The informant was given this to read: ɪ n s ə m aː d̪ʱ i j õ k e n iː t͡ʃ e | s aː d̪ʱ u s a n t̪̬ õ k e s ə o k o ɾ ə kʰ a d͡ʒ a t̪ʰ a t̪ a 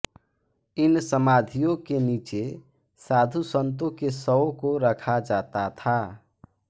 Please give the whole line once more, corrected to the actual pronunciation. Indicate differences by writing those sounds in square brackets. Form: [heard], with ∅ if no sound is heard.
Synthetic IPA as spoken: ɪ n s ə m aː d̪ʱ i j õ k e n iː t͡ʃ e | s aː d̪ʱ u s [ə] n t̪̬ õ k e s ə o k o ɾ ə kʰ a d͡ʒ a [t̪] a [t̪ʰ] a